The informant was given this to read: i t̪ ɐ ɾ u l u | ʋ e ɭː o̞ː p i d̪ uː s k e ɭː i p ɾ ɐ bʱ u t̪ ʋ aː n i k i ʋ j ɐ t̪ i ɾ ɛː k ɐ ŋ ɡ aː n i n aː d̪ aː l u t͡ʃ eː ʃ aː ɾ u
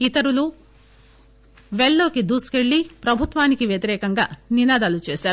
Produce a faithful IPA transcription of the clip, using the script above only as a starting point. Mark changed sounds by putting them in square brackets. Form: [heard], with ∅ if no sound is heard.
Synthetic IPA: i t̪ ɐ ɾ u l u | ʋ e ɭː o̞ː [k] i d̪ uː s k e ɭː i p ɾ ɐ bʱ u t̪ ʋ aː n i k i ʋ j ɐ t̪ i ɾ ɛː k ɐ ŋ ɡ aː n i n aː d̪ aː l u t͡ʃ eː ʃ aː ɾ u